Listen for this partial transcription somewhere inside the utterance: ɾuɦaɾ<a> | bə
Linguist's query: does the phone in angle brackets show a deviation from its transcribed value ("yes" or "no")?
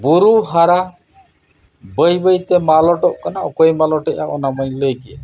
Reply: no